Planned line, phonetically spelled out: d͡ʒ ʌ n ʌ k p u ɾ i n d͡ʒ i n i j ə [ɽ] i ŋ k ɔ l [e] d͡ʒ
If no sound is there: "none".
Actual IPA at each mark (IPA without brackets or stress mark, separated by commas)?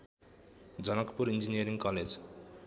ɾ, e